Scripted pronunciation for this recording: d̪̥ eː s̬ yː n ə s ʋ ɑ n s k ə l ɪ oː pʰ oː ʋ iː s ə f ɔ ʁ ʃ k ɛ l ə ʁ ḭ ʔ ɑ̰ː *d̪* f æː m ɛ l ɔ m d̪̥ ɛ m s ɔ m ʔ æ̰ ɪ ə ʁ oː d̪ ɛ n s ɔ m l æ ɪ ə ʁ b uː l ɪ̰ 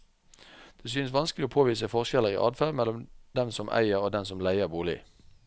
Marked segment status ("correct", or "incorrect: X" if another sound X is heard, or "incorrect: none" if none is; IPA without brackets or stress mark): correct